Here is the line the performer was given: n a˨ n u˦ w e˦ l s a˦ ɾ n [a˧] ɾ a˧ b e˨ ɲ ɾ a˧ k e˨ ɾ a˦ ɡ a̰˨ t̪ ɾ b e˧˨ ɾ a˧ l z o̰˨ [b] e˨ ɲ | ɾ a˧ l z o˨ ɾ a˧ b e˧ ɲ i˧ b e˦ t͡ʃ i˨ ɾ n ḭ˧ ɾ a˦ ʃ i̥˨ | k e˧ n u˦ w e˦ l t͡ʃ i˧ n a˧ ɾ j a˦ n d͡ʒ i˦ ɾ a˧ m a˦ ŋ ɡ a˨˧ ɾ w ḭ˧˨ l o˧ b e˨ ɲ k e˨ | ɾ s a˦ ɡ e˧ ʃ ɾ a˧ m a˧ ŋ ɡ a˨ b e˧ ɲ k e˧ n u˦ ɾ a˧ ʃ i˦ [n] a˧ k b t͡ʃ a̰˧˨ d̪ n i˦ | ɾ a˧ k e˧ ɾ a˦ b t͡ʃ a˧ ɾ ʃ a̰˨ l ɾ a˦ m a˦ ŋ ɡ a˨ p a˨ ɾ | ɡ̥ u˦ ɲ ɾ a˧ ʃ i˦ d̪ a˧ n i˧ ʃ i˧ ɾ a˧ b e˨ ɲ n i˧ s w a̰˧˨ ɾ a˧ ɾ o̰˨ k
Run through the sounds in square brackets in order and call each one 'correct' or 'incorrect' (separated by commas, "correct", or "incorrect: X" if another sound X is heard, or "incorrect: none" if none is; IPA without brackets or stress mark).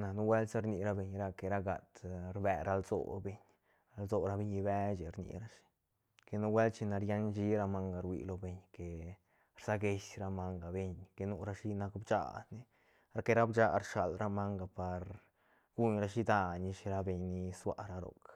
incorrect: i˧, correct, correct